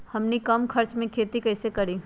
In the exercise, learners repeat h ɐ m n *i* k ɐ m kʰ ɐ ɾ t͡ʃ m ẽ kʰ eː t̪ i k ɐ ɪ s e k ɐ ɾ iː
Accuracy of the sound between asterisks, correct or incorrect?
correct